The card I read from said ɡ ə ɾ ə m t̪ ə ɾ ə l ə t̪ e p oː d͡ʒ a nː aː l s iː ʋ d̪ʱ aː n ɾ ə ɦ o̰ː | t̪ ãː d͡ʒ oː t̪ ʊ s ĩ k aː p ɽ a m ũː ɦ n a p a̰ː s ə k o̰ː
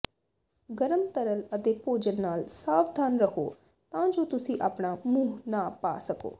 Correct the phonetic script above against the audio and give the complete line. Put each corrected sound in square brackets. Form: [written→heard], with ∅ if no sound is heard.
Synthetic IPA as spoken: ɡ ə ɾ ə m t̪ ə ɾ ə l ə t̪ e p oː d͡ʒ [a→ə] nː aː l s [iː→aː] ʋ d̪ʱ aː n ɾ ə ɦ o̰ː | t̪ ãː d͡ʒ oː t̪ ʊ s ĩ [k→ʔ] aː p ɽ a m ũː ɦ n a p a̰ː s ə k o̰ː